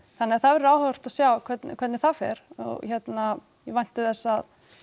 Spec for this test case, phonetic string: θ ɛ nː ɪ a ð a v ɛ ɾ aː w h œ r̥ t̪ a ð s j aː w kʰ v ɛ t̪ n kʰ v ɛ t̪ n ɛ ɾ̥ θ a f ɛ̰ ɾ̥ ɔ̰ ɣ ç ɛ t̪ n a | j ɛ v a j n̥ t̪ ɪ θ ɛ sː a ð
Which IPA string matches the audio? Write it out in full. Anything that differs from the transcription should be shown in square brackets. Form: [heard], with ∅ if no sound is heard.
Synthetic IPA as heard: θ [a] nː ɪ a [θ] a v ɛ ɾ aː w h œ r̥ t̪ a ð s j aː w kʰ v ɛ t̪ n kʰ v ɛ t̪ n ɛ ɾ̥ θ a f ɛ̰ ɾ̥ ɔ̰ ɣ ç ɛ t̪ n a | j ɛ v a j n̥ t̪ ɪ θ ɛ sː a ð